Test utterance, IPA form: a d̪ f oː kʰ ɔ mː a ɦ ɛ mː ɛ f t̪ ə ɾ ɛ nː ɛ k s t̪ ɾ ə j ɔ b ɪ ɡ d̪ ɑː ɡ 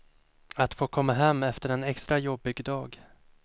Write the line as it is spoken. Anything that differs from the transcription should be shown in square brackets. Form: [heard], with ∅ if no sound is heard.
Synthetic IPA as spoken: a [t̪] f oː kʰ ɔ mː a ɦ ɛ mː ɛ f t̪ ə ɾ ɛ [n] ɛ k s t̪ ɾ [a] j ɔ b ɪ ɡ d̪ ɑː ɡ